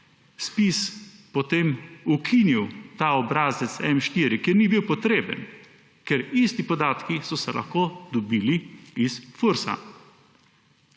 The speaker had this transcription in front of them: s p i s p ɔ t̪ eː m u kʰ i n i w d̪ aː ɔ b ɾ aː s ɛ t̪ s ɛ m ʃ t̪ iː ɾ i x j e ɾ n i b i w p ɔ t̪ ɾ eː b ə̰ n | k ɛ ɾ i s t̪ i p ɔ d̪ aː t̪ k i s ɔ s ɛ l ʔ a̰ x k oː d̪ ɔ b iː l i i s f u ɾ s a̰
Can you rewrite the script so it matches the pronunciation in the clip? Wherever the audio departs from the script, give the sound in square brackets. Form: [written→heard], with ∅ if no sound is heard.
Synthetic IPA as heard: s p i s p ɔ t̪ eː m u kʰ i n i w [d̪→t̪] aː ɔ b ɾ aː [s→z] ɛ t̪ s ɛ m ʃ t̪ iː ɾ i [x→k] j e ɾ n i b i w p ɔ t̪ ɾ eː b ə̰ n | k ɛ ɾ i s t̪ i p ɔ d̪ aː t̪ k i s ɔ s ɛ l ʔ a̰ x k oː d̪ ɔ b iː l i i s f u ɾ s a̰